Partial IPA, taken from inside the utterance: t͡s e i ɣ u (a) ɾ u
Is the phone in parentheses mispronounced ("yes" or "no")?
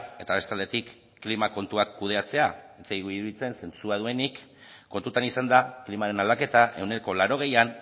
yes